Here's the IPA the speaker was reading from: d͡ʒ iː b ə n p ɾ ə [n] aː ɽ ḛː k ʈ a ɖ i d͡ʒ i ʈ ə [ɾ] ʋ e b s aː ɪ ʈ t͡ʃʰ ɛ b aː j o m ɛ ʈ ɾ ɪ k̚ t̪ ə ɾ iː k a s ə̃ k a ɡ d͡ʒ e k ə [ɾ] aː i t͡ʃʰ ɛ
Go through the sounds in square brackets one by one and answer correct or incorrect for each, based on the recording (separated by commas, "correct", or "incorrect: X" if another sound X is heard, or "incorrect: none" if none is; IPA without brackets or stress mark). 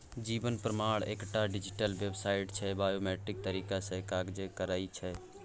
incorrect: m, incorrect: l, correct